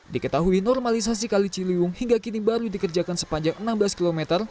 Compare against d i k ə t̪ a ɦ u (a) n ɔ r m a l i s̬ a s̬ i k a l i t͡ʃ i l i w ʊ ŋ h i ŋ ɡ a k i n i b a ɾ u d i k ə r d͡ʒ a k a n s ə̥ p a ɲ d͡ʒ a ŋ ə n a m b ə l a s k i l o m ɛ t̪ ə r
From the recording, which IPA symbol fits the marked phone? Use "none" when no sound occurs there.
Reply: i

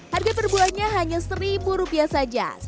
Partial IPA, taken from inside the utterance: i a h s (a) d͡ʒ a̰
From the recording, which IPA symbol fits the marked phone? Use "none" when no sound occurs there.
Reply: a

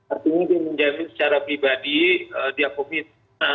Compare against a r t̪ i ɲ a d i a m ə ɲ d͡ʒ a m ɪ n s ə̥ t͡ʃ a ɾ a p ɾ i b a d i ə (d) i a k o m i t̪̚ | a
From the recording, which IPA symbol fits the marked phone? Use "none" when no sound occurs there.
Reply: d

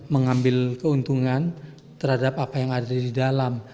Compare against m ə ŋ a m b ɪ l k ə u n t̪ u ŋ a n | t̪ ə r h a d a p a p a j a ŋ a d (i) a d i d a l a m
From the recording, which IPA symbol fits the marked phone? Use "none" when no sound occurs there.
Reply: a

